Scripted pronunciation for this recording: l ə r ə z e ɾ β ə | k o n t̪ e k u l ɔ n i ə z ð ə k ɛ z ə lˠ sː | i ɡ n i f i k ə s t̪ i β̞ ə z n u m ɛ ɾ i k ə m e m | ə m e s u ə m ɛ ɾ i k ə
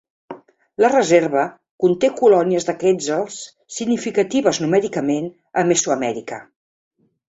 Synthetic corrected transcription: l ə r ə z e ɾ β ə | k u n t̪ e k u l ɔ n i ə z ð ə k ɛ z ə lˠ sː | i ɡ n i f i k ə t̪ i β̞ ə z n u m ɛ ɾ i k ə m e n | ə m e s u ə m ɛ ɾ i k ə